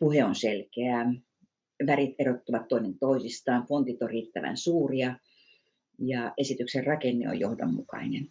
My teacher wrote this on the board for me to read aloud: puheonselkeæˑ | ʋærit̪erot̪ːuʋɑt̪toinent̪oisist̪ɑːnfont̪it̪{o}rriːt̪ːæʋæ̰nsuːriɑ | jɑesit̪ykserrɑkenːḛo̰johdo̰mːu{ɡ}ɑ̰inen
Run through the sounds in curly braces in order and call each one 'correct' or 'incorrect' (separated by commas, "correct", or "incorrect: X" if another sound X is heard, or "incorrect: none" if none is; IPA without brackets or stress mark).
correct, incorrect: k